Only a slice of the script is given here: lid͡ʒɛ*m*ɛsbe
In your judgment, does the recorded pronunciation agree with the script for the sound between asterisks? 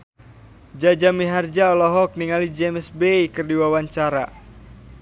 yes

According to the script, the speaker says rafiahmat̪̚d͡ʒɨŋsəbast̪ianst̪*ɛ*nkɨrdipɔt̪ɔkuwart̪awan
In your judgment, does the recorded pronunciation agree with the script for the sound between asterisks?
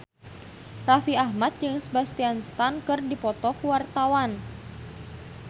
no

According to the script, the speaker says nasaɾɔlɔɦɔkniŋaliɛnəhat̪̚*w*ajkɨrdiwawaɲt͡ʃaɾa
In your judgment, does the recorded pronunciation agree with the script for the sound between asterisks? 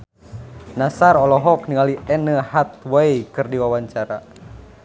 yes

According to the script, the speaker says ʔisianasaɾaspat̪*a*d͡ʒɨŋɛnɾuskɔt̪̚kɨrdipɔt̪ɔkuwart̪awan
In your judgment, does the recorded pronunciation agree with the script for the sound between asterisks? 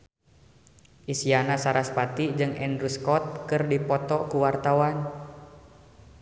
no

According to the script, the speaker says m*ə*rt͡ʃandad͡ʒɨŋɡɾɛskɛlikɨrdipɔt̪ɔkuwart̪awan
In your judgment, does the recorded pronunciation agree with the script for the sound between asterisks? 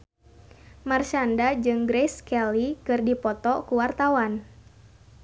no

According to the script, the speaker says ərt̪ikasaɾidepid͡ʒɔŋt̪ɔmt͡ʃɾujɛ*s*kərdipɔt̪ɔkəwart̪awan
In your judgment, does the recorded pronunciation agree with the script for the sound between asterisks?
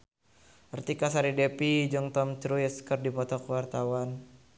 yes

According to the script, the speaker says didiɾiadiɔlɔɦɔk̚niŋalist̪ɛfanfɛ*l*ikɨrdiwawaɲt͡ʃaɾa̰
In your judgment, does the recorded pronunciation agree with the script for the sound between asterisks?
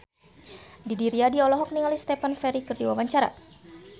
no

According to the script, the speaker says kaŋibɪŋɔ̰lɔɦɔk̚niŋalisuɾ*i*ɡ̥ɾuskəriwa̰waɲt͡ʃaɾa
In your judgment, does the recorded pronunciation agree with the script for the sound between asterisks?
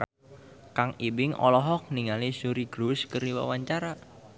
yes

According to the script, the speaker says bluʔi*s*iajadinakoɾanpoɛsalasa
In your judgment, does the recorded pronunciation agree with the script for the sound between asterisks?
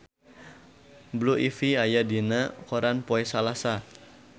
no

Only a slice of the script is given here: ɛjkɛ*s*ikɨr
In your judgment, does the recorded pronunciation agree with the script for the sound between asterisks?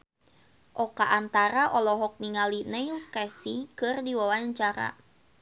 yes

